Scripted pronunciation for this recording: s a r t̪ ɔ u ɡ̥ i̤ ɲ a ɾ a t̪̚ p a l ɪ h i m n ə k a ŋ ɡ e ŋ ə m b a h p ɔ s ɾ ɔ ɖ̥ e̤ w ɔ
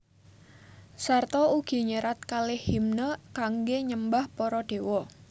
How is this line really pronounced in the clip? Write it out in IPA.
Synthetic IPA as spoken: s a r t̪ ɔ u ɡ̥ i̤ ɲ ə ɾ a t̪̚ k a l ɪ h i m n ə k a ŋ ɡ e ɲ ə m b a h p ɔ ɾ ɔ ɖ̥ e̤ w ɔ